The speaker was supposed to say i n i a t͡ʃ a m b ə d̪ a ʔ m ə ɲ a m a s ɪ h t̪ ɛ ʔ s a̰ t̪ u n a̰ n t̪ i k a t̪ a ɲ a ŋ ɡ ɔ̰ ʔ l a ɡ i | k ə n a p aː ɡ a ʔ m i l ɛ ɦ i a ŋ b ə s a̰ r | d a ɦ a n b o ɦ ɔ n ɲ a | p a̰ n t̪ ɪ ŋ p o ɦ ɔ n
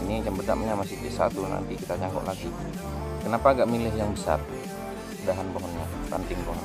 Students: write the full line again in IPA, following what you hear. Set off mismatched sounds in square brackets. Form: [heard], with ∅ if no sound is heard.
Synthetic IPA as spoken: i n i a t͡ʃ a m b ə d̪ a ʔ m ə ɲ a m a s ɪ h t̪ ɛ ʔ s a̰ t̪ u n a̰ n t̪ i k [i] t̪ a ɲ a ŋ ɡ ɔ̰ ʔ l a ɡ i | k ə n a p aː ɡ a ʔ m i l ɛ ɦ [j] a ŋ b ə s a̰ r | d a ɦ a n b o ɦ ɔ n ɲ a | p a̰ n t̪ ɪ ŋ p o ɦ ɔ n